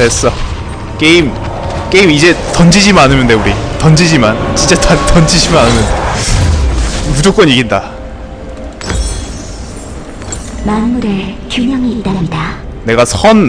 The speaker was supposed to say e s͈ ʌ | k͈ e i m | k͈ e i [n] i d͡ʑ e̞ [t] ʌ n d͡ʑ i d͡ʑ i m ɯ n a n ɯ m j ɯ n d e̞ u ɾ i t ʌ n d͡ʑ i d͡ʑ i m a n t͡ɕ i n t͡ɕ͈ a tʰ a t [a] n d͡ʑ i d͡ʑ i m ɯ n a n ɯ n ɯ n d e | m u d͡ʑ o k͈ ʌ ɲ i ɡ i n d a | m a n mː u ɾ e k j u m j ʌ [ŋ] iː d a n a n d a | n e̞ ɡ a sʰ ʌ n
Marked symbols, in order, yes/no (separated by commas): no, yes, no, yes